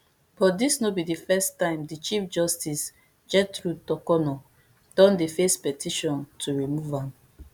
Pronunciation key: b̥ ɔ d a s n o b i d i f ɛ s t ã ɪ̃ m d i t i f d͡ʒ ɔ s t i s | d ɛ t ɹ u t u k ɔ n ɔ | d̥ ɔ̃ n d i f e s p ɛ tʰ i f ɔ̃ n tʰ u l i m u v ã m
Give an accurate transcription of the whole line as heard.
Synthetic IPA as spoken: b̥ ɔ d i s n o b i d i f ɛ s t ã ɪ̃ m d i t͡ʃ i f d͡ʒ ɔ s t i s | d͡ʒ ɛ t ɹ u t ɔ k ɔ n ɔ | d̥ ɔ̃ n d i f e s p ɛ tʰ i ʃ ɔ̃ n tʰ u ɹ i m u v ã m